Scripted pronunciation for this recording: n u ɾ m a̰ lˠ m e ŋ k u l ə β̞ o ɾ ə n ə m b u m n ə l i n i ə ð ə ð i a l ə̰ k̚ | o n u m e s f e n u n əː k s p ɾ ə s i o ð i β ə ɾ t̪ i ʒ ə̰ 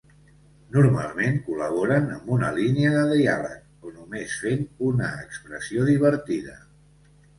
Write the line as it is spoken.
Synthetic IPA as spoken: n u ɾ m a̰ lˠ m e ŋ k u l ə β̞ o ɾ ə n ə m b u n ə l i n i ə ð ə ð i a l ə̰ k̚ | o n u m e s f e n u n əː k s p ɾ ə s i o ð i β ə ɾ t̪ i ð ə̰